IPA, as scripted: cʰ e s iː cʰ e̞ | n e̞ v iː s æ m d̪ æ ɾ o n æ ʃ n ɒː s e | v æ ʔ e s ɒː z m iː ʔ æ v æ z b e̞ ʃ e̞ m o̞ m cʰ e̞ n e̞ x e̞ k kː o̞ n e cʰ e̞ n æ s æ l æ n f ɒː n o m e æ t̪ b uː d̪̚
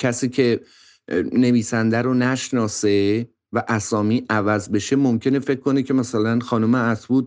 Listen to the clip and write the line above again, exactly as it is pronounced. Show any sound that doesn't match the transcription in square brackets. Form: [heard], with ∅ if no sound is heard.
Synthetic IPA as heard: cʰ [æ] s iː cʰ e̞ | n e̞ v iː s æ [n] d̪ æ ɾ o n æ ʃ n ɒː s e | v æ ʔ [æ] s ɒː [∅] m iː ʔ æ v æ z b e̞ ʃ e̞ m o̞ m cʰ e̞ n e̞ [f] e̞ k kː o̞ n e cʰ e̞ [m] æ s æ l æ n [x] ɒː n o m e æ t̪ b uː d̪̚